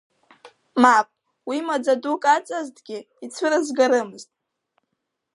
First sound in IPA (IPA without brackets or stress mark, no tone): m